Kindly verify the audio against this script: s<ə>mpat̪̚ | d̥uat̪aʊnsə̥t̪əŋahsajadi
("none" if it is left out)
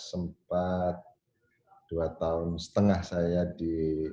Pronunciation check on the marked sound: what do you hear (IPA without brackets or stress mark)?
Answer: ə